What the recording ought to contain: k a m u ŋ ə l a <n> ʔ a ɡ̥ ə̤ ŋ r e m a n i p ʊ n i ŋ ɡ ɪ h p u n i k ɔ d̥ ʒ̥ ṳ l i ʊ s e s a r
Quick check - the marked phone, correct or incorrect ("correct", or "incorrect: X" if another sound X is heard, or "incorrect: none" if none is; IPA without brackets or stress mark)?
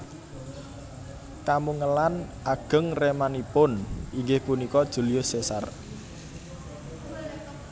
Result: correct